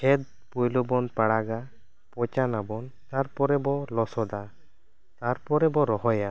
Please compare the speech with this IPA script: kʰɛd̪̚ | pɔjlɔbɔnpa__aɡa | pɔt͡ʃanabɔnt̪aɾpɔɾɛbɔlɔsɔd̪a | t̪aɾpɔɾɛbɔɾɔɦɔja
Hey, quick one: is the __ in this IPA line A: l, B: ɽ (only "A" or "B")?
B